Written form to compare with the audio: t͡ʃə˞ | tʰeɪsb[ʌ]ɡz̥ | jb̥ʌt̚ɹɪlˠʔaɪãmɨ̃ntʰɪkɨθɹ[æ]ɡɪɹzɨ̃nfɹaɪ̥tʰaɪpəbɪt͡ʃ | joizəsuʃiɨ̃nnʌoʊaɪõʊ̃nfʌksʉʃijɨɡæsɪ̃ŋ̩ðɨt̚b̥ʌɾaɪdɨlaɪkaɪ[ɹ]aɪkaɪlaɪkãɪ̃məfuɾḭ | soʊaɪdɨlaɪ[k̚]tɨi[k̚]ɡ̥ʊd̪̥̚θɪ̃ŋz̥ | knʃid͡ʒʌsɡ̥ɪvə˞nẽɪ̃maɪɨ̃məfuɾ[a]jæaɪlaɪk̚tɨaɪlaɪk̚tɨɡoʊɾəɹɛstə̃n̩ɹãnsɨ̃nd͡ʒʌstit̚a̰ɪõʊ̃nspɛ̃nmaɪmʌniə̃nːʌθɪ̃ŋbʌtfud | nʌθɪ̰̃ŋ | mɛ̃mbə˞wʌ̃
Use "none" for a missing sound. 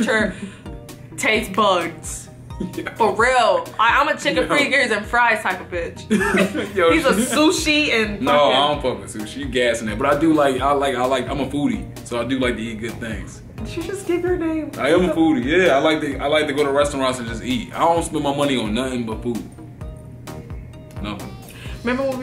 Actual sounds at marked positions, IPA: ʌ, i, l, k̚, t̚, i

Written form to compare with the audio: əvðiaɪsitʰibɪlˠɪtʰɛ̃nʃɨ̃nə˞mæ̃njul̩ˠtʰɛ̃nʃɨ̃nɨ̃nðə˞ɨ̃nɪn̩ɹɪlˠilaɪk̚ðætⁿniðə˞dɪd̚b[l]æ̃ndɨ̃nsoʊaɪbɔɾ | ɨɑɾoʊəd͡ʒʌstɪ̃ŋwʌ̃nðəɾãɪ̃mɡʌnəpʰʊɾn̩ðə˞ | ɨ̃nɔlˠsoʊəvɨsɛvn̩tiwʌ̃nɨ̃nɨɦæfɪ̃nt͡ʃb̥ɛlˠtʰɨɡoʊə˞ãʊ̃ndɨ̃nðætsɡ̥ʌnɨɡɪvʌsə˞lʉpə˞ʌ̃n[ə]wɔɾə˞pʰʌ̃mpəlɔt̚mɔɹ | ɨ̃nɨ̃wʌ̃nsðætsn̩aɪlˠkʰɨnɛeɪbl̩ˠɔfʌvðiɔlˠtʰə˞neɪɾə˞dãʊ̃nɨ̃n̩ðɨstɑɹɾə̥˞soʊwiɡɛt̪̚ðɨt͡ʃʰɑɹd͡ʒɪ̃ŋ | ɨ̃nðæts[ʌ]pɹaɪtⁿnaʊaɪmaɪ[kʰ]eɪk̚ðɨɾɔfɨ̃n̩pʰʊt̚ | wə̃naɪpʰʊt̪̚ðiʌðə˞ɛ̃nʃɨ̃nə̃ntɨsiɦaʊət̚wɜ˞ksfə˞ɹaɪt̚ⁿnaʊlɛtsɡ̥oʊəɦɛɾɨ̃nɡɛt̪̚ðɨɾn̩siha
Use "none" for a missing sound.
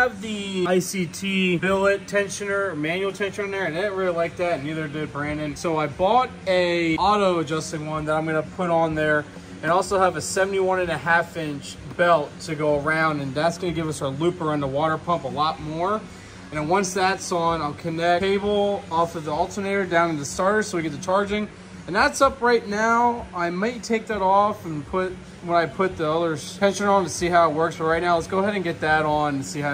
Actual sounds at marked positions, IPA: ɹ, ə, ʌ, tʰ

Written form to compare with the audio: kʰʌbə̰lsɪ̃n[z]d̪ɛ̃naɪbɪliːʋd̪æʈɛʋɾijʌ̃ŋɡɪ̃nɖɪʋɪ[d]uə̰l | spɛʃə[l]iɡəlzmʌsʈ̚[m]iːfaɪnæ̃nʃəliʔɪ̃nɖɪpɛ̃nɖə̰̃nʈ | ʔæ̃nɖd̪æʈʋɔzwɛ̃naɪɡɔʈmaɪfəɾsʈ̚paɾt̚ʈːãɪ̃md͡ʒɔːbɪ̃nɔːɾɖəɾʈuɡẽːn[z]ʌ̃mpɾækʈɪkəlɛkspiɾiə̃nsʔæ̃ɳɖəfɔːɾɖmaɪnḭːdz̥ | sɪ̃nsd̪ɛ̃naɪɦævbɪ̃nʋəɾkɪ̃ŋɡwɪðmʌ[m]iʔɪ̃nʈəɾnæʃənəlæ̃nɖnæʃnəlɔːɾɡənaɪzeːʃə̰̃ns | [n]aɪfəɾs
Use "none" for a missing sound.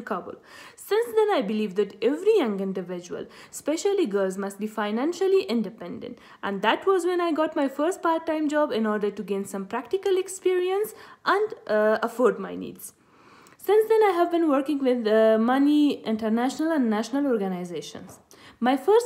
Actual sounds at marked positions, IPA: s, d͡ʒ, l, b, s, n, m

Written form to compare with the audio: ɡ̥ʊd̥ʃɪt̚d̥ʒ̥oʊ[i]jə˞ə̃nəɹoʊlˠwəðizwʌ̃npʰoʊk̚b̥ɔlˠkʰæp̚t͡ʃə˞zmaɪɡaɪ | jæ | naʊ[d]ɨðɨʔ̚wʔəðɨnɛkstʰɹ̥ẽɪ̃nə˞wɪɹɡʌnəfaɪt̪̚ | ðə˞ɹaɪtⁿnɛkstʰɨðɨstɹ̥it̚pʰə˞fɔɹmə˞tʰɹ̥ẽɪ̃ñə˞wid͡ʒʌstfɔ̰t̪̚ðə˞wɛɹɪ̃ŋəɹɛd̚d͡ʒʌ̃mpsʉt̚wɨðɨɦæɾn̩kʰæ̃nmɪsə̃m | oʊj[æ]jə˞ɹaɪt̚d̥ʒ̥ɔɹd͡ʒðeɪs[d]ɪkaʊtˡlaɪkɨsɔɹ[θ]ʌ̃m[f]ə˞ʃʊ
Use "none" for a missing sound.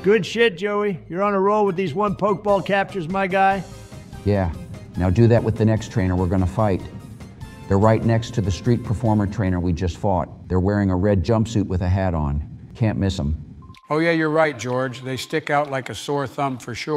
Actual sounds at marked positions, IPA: i, d, æ, t, θ, f

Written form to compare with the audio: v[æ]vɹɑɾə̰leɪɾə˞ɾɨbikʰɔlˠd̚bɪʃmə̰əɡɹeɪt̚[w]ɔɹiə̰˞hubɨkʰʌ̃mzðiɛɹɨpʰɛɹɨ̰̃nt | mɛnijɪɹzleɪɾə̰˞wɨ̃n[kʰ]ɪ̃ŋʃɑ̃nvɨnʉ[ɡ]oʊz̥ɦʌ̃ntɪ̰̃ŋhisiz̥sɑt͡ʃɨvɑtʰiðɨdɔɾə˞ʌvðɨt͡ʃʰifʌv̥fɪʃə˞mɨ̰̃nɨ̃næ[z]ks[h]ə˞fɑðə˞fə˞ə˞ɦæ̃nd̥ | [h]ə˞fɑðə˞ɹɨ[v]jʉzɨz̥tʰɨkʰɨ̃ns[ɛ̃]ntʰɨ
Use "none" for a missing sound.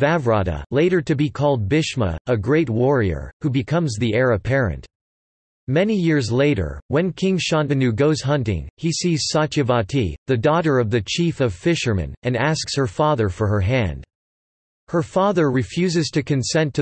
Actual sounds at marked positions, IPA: æ, w, kʰ, ɡ, s, h, h, f, ɛ̃

